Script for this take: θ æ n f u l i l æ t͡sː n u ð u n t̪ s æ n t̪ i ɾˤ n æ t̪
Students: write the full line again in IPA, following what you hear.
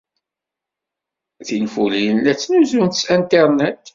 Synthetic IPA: θ i n f u l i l æ t͡sː n u z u n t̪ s æ n t̪ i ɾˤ n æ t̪